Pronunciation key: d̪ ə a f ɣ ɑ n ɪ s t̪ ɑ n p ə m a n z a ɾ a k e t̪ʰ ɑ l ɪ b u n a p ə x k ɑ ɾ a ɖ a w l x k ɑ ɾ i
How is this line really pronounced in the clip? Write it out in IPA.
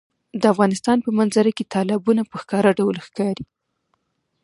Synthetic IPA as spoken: d̪ ə a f ɣ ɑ n ɪ s t̪ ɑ n p ə m a n z a ɾ a k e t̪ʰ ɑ l ɪ b u n a p ə x k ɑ ɾ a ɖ a w l x k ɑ ɾ i